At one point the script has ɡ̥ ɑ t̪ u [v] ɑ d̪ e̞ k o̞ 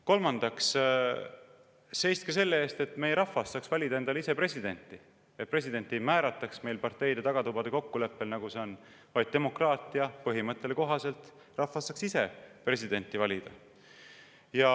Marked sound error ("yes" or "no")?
yes